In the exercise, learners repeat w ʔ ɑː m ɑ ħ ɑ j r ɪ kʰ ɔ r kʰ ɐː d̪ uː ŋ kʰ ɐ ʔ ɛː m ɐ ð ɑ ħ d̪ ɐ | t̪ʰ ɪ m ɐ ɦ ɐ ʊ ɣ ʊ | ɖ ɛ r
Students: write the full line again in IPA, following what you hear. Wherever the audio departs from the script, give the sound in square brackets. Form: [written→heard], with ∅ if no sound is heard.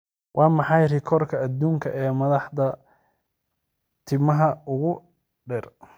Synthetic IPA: w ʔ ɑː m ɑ ħ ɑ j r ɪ kʰ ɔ r kʰ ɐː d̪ uː ŋ kʰ ɐ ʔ ɛː m ɐ ð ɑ ħ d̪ ɐ | t̪ʰ ɪ m ɐ ɦ ɐ ʊ ɣ ʊ | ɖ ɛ r